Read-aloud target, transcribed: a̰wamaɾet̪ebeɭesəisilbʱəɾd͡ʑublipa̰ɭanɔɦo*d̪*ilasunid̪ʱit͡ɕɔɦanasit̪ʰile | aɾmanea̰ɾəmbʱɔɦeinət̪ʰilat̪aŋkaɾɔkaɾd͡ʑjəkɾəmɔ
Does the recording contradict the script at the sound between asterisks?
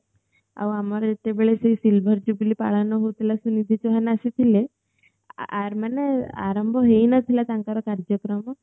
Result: yes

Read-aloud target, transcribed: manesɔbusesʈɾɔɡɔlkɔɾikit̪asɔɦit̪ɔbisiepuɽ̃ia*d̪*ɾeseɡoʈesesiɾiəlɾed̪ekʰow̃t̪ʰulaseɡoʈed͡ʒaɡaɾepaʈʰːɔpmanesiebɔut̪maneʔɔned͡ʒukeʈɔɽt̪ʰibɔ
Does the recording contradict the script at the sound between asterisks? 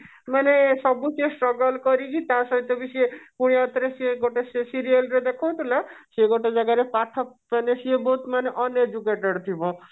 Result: yes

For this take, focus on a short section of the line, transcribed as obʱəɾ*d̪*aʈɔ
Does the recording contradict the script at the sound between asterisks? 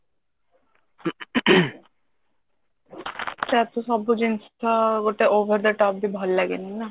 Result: no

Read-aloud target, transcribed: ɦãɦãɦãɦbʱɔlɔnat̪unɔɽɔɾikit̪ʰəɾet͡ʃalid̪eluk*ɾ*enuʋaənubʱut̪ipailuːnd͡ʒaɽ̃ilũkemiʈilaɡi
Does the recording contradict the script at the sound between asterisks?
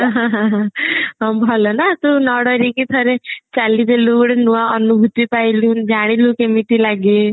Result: yes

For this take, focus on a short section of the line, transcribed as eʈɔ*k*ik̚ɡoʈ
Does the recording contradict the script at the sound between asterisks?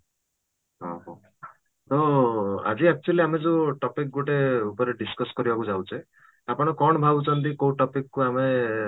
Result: yes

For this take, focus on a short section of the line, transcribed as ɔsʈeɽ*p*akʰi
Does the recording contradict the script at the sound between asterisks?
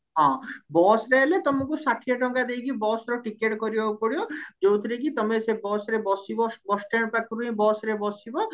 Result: no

